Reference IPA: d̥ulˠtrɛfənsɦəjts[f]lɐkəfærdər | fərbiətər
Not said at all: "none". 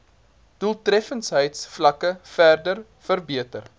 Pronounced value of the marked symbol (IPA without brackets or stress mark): f